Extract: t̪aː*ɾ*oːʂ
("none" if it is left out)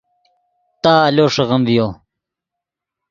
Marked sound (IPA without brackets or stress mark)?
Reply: l